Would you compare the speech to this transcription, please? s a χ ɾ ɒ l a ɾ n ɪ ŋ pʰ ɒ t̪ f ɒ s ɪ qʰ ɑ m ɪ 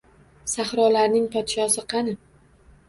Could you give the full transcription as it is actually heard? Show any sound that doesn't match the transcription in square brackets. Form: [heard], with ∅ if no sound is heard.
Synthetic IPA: s a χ ɾ ɒ l a ɾ n ɪ ŋ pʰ ɒ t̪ [ʃ] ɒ s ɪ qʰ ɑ [n] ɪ